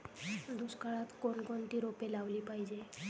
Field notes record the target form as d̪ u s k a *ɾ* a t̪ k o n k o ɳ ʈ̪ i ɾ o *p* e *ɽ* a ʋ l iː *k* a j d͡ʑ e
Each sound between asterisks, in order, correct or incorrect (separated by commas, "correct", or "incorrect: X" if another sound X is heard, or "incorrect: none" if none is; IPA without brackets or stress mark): incorrect: ɭ, correct, incorrect: l, incorrect: p